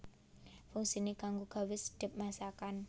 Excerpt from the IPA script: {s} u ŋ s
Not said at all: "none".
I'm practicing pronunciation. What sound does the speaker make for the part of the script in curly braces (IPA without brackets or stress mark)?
f